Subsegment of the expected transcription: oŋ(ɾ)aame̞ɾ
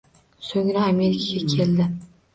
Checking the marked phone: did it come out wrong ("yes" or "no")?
no